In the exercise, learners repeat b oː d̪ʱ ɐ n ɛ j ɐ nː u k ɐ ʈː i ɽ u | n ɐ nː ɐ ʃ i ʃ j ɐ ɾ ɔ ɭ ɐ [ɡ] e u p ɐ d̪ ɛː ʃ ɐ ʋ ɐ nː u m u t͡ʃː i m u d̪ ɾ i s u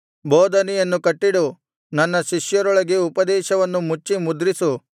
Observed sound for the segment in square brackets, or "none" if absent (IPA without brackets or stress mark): ɡ